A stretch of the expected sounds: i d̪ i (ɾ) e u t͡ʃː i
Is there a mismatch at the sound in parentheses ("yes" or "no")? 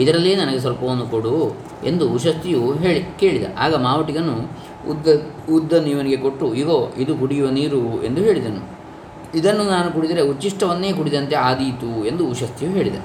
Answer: no